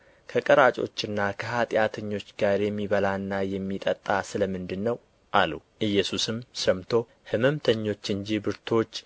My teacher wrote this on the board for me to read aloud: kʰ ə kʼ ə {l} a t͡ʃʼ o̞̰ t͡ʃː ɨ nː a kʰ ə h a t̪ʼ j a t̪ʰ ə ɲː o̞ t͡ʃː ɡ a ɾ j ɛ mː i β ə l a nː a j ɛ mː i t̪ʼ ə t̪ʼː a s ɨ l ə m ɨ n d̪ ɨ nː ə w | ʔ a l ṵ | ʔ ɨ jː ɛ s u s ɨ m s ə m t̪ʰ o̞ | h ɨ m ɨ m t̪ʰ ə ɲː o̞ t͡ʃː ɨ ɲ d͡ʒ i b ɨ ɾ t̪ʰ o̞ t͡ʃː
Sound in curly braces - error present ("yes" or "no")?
yes